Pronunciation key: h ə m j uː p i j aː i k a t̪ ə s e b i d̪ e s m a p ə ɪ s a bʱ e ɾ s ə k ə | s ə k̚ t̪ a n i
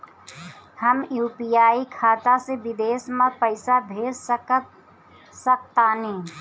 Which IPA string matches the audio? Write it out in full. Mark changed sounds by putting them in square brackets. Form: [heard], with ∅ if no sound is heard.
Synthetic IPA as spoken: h ə m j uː p i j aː i [kʰ] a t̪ [a] s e b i d̪ e s m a p ə ɪ s a bʱ e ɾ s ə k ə | s ə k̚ t̪ a n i